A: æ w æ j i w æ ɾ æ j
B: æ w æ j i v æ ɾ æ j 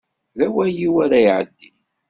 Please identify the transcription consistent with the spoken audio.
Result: A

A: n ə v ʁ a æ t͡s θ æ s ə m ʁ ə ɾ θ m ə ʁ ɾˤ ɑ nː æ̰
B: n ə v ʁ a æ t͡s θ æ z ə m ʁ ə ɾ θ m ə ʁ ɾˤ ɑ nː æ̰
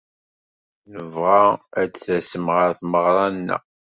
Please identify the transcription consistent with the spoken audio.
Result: A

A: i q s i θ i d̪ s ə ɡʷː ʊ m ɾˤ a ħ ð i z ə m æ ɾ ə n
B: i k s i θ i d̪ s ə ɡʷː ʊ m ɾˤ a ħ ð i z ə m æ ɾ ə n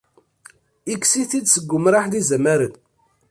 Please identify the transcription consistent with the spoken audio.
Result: B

